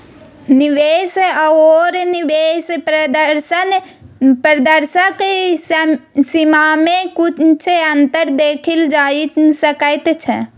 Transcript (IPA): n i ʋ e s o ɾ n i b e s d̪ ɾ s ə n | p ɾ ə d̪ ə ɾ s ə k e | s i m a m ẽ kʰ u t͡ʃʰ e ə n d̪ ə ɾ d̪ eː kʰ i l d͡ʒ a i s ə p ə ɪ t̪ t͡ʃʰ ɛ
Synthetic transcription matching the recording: n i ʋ e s o ɾ n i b e s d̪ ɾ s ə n | p ɾ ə d̪ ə ɾ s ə k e | s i m a m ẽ k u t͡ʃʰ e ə n t̪ ə ɾ d̪ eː kʰ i l d͡ʒ a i s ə k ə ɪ t̪ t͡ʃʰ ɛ